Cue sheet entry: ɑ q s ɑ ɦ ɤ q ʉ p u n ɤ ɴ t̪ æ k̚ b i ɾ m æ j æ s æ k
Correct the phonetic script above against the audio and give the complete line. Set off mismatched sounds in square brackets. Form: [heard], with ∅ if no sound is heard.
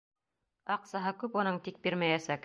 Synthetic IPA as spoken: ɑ q s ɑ ɦ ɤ [k] ʉ p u n ɤ ɴ t̪ [i] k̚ b i ɾ m æ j æ s æ k